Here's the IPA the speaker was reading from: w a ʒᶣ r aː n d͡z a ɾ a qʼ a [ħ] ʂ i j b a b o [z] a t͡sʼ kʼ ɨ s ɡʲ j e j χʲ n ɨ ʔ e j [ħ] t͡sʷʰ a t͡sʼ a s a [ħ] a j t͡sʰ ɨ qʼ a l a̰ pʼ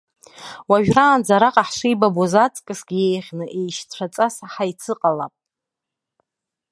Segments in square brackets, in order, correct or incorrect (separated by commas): correct, correct, incorrect, correct